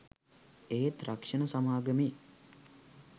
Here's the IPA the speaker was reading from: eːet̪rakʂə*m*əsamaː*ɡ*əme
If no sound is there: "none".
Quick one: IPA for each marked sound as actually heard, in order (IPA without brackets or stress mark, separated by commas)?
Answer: n, ɡ